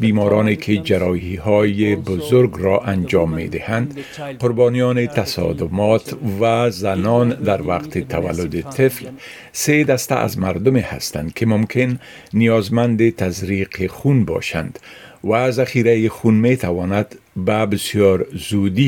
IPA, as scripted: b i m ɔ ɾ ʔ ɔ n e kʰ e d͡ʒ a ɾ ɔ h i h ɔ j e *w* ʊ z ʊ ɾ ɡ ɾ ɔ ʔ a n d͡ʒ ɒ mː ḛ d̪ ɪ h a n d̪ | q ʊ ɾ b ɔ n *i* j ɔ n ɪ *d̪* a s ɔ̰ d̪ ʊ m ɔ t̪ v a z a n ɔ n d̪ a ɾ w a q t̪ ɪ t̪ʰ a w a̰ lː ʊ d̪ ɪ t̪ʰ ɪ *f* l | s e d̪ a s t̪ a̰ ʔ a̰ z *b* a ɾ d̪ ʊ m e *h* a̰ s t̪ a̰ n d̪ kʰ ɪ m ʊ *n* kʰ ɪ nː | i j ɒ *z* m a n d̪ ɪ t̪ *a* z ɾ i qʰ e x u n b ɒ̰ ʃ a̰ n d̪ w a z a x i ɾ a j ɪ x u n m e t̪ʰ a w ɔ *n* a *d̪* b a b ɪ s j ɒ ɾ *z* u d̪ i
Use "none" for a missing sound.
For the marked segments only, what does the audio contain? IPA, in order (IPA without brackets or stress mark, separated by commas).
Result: b, i, t̪, f, m, h, m, z, a, n, d̪, z